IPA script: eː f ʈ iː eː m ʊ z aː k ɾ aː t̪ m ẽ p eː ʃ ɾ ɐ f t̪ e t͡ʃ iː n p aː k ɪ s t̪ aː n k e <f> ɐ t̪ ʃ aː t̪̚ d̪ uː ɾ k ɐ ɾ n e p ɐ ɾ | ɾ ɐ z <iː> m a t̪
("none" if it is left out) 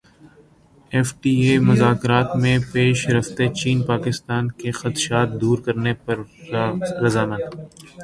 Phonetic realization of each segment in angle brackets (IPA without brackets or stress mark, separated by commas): x, aː